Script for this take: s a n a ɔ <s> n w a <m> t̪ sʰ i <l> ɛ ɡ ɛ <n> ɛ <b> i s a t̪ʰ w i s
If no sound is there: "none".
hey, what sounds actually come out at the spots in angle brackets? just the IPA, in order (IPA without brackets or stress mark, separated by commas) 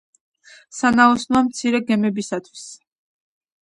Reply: s, m, ɾ, m, b